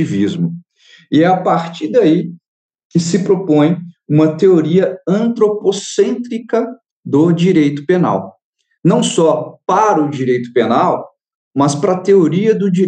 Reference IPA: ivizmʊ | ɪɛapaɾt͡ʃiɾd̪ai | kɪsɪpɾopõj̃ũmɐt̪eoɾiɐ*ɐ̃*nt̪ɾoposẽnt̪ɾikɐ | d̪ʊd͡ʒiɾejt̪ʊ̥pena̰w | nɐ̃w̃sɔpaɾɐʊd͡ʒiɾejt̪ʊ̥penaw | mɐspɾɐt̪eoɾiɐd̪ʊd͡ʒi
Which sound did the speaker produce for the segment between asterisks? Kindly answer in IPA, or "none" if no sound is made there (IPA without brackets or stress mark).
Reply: ɐ̃